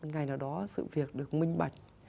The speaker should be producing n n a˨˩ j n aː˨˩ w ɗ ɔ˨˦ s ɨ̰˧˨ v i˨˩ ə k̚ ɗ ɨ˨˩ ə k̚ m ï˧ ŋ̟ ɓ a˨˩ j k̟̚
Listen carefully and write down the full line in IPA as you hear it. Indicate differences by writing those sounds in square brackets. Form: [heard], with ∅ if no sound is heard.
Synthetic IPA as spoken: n [ŋ] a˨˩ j n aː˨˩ w ɗ ɔ˨˦ s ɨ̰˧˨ v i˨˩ ə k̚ ɗ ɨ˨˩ ə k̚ m ï˧ ŋ̟ ɓ a˨˩ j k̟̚